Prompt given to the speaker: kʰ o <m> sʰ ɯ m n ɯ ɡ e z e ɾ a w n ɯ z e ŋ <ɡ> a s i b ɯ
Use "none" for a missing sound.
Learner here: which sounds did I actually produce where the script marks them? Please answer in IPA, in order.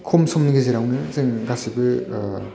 m, ɡ

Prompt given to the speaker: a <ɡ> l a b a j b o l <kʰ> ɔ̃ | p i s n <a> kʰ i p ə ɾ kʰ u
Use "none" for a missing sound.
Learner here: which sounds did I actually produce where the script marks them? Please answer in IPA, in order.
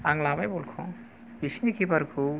ŋ, kʰ, i

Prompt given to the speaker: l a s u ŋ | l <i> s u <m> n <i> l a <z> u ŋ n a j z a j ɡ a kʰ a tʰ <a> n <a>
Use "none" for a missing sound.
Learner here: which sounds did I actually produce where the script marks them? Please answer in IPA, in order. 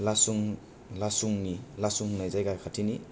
a, ŋ, i, s, i, i

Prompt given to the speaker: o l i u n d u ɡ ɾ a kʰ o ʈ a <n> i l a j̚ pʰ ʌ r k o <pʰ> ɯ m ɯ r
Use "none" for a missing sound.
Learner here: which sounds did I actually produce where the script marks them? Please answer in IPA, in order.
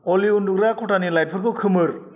n, kʰ

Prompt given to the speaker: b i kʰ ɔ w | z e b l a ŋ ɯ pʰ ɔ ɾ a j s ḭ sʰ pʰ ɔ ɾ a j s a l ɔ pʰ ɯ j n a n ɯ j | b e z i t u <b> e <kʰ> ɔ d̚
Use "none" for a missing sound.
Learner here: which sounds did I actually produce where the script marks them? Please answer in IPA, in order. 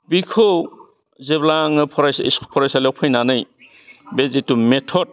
m, tʰ

